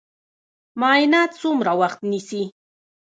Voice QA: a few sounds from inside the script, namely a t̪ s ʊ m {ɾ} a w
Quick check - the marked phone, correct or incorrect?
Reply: correct